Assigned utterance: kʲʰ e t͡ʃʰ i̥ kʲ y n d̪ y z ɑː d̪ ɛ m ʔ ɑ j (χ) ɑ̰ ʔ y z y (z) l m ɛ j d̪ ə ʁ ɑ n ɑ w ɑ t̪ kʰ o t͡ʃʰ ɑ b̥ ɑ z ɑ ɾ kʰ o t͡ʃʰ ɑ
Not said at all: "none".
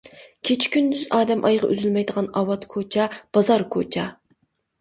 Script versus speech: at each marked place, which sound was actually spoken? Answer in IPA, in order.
ʁ, none

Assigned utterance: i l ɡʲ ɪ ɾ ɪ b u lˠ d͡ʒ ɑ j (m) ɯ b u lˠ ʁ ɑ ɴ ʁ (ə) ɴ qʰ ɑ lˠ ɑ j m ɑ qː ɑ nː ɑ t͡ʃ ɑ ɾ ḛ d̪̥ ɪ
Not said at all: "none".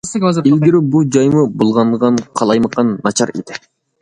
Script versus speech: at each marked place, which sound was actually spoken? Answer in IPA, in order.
m, ɑ

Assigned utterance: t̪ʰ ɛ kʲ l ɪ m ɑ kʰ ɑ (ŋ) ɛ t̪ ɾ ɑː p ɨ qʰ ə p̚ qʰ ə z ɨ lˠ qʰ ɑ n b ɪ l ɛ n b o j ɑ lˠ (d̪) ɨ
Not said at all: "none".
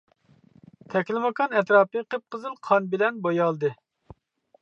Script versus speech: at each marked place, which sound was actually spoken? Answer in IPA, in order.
n, d̪

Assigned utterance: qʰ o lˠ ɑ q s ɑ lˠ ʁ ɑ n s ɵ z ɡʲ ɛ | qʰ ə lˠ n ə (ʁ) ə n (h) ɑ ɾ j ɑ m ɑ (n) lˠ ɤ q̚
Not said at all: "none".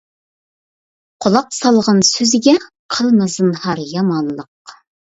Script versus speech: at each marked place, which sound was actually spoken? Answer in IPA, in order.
z, h, n

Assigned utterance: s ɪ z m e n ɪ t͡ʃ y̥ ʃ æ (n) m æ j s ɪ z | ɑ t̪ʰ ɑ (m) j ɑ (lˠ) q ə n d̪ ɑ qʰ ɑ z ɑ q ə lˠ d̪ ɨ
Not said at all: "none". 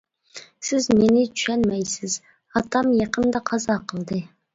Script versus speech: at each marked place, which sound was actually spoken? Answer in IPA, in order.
n, m, none

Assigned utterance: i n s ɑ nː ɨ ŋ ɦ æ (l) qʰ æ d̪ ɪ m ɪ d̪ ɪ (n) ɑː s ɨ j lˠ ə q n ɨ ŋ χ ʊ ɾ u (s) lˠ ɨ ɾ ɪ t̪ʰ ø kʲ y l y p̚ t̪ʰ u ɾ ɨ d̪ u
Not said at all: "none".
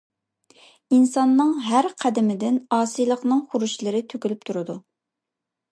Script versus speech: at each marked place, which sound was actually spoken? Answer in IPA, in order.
ɾ, n, ʃ

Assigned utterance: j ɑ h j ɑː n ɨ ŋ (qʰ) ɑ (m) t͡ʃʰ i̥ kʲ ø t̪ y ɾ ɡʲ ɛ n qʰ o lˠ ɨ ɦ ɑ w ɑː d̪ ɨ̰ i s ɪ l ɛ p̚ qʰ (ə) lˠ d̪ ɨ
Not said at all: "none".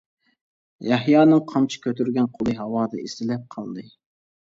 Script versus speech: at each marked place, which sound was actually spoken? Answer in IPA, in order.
qʰ, m, ɑ

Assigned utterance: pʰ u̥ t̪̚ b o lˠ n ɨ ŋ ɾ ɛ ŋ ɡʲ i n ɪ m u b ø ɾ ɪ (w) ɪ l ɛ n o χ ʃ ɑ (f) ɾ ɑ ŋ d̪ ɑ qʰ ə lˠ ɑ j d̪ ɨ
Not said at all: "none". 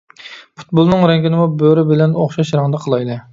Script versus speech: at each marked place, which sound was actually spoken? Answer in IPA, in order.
b, ʃ

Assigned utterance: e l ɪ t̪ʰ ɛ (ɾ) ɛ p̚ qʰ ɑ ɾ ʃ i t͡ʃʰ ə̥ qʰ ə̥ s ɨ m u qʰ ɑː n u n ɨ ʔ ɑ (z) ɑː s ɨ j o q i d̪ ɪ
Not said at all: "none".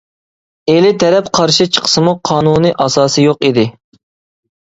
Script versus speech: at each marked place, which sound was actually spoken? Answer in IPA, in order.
ɾ, s

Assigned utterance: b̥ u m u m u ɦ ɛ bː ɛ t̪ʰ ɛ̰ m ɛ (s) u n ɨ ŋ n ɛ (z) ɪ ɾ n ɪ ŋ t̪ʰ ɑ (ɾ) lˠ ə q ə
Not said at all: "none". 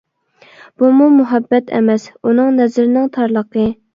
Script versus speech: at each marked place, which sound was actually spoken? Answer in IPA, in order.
s, z, ɾ

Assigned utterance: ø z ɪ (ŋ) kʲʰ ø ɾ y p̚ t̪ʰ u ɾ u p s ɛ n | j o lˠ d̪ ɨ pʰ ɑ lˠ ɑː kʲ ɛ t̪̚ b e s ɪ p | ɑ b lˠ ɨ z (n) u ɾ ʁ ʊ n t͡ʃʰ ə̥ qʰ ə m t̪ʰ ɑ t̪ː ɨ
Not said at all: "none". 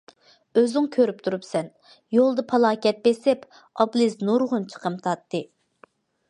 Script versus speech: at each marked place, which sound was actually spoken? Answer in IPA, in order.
ŋ, n

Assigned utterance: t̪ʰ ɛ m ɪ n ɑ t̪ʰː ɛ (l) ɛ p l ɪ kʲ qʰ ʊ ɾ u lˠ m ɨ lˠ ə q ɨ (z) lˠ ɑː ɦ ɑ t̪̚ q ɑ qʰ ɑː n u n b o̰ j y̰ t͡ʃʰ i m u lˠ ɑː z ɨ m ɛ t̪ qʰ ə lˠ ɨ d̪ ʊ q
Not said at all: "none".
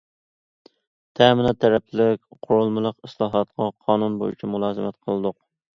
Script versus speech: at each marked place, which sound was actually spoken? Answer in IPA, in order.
ɾ, s

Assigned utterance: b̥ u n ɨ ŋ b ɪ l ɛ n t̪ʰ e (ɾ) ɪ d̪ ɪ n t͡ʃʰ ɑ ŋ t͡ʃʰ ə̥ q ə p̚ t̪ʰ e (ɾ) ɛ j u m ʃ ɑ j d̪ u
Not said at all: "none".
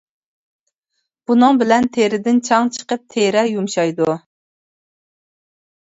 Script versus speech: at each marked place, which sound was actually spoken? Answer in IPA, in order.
ɾ, ɾ

